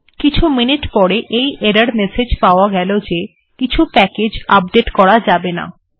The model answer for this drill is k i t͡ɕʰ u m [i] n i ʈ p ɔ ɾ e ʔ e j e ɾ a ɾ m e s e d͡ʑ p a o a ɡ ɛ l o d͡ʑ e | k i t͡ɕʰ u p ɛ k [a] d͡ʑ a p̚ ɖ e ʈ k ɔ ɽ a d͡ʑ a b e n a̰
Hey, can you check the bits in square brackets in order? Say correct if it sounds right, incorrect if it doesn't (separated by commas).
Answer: correct, incorrect